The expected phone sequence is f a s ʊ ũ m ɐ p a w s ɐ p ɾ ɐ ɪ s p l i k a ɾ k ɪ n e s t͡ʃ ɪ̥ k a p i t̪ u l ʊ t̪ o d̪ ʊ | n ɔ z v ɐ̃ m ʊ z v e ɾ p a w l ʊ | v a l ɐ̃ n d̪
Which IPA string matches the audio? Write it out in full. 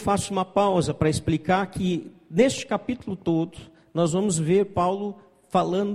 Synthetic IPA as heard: f a s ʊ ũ m ɐ p a w z ɐ p ɾ ɐ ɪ s p l i k a ɾ k ɪ n e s t͡ʃ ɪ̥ k a p i t̪ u l ʊ t̪ o d̪ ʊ | n ɔ z v ɐ̃ m ʊ z v e ɾ p a w l ʊ | f a l ɐ̃ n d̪